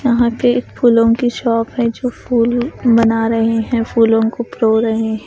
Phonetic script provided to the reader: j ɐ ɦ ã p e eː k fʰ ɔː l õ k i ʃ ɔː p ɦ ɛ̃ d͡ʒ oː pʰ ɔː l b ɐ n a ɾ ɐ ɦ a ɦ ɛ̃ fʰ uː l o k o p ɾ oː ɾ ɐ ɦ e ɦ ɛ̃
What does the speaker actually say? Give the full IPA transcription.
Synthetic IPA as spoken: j ɐ ɦ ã p e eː k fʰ uː l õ k i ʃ ɔː p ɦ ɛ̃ d͡ʒ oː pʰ uː l b ɐ n a ɾ ɐ ɦ e ɦ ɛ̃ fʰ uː l õ k o p ɾ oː ɾ ɐ ɦ e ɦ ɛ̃

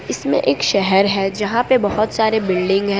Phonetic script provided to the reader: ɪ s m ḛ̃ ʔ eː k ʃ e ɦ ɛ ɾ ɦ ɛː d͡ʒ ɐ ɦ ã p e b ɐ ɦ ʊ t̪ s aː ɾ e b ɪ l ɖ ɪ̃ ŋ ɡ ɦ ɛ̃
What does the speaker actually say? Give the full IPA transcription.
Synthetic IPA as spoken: ɪ s m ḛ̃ ʔ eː k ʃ ɛ ɦ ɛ ɾ ɦ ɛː d͡ʒ ɐ ɦ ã p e b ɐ ɦ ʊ t̪ s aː ɾ e b ɪ l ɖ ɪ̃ ŋ ɡ ɦ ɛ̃

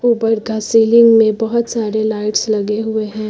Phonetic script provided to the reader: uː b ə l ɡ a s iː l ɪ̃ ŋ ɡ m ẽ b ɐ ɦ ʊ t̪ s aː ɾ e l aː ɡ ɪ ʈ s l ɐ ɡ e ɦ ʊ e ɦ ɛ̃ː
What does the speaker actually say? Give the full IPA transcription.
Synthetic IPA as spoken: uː b ə ɾ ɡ a s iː l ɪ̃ ŋ ɡ m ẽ b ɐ ɦ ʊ t̪ s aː ɾ e l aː ɪ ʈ s l ɐ ɡ e ɦ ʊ e ɦ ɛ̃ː

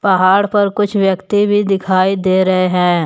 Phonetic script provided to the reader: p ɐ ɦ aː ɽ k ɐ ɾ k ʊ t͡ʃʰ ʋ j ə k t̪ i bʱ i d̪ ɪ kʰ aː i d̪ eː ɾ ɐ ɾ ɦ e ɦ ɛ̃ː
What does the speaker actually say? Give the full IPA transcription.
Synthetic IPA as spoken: p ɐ ɦ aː ɽ p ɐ ɾ k ʊ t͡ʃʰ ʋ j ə k t̪ i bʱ i d̪ ɪ kʰ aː i d̪ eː ɾ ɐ ɦ e ɦ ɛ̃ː

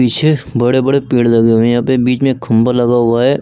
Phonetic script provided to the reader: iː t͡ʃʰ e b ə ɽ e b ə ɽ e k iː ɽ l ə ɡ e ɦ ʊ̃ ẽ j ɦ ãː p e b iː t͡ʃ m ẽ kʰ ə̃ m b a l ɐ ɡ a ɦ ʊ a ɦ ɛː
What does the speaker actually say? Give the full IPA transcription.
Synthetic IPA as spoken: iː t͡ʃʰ e b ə ɽ e b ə ɽ e p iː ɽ l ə ɡ e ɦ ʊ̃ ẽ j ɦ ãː p e b iː t͡ʃ m ẽ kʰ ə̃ m b a l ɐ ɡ a ɦ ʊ a ɦ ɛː

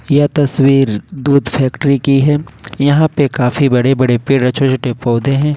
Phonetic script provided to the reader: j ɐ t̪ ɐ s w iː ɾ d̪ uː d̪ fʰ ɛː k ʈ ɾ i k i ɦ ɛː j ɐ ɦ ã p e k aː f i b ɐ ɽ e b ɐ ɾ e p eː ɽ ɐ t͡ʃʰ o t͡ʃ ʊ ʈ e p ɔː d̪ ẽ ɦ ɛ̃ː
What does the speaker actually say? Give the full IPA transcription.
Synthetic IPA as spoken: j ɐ t̪ ɐ s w iː ɾ d̪ uː d̪ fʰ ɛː k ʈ ɾ i k i ɦ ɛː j ɐ ɦ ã p e k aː f i b ɐ ɽ e b ɐ ɽ e p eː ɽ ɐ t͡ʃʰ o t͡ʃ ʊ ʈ e p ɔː d̪ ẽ ɦ ɛ̃ː

